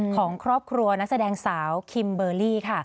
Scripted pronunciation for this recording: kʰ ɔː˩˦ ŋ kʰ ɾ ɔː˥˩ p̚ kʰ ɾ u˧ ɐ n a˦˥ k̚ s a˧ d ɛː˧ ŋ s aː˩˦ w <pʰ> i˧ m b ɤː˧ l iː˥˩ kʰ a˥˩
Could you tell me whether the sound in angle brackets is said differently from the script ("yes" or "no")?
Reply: yes